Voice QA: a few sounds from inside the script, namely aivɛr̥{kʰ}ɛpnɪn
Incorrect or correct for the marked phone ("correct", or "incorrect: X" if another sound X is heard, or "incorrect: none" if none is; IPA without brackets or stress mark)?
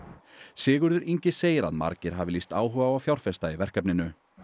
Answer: incorrect: k